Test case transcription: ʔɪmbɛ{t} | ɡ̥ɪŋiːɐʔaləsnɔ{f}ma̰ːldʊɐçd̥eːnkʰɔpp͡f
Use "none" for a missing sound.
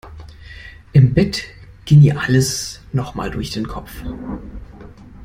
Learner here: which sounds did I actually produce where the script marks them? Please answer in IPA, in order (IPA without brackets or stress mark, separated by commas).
t, χ